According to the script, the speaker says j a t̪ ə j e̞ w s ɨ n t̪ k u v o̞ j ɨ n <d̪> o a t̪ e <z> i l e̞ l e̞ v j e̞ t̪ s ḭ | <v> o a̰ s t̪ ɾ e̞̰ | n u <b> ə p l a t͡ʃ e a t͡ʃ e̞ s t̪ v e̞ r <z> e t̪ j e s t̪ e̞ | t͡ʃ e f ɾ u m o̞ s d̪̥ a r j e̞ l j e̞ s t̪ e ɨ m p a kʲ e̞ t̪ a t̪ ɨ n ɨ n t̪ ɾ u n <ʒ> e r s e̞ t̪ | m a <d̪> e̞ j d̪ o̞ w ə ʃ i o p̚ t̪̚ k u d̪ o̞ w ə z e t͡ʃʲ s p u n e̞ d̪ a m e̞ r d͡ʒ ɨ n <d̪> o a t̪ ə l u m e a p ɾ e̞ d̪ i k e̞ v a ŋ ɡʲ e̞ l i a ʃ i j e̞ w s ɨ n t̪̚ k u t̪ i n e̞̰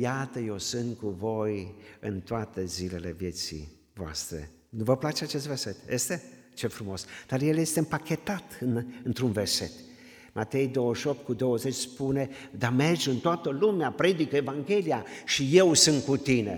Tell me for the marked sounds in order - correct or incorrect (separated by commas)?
incorrect, correct, correct, incorrect, incorrect, incorrect, incorrect, incorrect